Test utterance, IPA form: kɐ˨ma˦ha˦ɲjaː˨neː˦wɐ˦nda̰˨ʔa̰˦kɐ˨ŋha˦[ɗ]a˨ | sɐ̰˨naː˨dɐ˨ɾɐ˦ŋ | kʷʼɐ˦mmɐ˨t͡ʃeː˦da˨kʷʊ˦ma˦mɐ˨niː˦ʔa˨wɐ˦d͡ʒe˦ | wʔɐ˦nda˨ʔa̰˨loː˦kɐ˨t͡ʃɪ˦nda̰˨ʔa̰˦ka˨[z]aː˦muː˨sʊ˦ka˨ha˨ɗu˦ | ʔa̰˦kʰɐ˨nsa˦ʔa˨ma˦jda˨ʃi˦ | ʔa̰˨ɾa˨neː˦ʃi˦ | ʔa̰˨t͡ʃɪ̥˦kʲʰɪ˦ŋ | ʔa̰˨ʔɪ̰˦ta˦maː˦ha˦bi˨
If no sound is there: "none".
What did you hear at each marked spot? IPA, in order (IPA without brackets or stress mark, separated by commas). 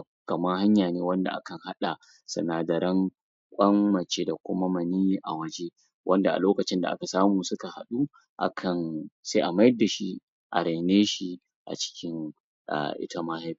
ɗ, s